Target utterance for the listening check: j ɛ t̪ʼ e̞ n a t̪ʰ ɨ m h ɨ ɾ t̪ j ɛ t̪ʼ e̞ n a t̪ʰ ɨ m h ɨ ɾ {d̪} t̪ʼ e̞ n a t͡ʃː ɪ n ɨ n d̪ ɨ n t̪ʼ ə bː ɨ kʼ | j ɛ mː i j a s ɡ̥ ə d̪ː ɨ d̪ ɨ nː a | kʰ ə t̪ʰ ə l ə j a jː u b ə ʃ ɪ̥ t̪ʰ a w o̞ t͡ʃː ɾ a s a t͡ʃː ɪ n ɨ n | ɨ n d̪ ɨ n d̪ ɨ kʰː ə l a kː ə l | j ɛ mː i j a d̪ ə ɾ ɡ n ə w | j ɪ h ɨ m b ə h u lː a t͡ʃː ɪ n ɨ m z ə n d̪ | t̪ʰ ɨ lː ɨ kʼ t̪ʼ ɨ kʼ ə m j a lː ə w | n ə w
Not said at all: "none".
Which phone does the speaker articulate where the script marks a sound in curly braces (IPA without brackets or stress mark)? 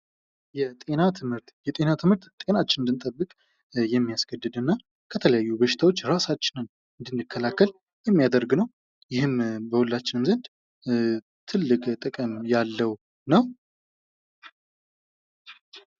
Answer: t̪